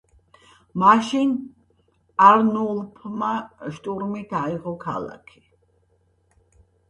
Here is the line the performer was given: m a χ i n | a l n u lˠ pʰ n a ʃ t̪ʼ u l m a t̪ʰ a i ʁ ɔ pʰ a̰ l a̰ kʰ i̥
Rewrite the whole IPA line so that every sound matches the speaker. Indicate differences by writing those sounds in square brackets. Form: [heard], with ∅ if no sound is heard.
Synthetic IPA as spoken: m a [ʃ] i n | a [ɾ] n u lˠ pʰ [m] a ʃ t̪ʼ u [ɾ] m [i] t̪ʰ a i ʁ ɔ [kʰ] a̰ l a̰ kʰ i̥